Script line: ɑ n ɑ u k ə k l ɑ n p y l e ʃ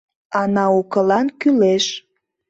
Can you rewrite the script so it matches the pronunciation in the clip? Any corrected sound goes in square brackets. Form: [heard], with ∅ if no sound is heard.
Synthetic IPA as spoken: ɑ n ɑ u k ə [∅] l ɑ n [k] y l e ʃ